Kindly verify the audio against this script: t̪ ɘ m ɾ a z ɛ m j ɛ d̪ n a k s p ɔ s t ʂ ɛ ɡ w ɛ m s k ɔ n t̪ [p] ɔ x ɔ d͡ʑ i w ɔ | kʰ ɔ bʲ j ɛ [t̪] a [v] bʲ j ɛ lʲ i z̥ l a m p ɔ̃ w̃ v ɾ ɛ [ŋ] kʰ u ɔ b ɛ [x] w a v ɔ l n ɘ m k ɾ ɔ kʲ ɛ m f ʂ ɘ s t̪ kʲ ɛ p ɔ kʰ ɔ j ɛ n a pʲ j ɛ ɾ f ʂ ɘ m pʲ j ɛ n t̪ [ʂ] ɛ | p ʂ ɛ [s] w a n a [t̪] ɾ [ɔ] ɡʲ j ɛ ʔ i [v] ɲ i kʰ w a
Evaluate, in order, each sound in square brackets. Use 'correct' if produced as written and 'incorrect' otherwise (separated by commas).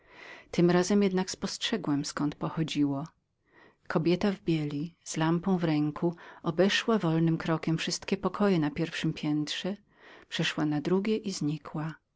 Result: correct, correct, correct, correct, incorrect, correct, incorrect, incorrect, incorrect, incorrect